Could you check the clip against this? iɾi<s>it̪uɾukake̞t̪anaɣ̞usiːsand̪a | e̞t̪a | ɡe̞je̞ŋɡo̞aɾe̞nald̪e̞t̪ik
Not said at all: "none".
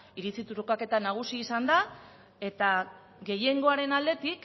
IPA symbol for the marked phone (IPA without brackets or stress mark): t͡s